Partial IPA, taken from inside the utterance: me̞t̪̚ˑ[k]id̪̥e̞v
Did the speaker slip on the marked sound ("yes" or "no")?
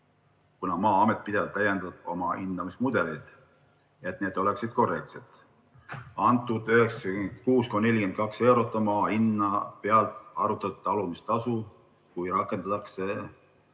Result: yes